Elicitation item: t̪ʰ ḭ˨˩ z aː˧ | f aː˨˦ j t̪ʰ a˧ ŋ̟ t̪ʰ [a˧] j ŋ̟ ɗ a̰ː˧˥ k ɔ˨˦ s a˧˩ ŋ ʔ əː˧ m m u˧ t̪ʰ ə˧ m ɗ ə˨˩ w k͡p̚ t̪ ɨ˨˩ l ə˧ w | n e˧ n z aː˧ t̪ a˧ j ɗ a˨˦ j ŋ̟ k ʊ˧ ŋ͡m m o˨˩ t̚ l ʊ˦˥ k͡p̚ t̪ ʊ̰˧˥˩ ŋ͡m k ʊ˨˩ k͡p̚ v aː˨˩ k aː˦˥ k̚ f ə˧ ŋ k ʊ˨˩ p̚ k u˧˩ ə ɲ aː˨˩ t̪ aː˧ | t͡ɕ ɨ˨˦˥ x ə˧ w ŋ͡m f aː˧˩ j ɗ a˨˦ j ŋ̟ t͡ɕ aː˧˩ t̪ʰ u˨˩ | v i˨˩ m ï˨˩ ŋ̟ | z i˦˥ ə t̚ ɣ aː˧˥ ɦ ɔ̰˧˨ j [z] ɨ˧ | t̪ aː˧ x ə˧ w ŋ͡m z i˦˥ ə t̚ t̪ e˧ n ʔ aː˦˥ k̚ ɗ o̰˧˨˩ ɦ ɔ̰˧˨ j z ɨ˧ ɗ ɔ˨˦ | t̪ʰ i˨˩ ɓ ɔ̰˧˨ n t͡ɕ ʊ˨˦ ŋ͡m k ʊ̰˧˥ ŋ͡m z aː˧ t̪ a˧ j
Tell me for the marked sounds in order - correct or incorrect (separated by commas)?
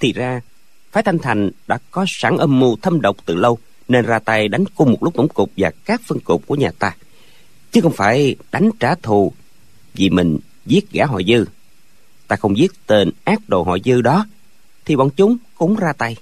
incorrect, correct